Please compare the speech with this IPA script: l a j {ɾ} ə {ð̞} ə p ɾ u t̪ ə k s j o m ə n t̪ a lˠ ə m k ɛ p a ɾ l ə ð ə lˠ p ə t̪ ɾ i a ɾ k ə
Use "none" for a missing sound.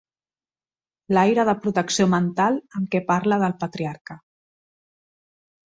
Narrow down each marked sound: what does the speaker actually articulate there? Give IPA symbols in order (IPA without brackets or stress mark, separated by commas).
ɾ, ð̞